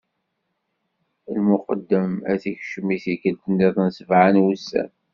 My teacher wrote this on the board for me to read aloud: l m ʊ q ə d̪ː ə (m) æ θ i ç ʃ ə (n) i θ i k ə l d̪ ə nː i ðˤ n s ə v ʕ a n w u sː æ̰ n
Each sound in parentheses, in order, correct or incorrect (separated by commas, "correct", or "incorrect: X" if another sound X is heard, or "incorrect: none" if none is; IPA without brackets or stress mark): correct, incorrect: m